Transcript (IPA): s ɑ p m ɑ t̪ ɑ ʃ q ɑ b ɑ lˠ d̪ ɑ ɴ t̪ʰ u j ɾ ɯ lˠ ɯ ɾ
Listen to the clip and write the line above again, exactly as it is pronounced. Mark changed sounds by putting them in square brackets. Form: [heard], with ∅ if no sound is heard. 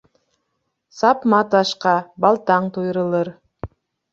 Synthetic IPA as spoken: s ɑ p m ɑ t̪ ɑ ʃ q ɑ b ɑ lˠ [t̪] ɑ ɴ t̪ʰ u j ɾ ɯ lˠ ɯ ɾ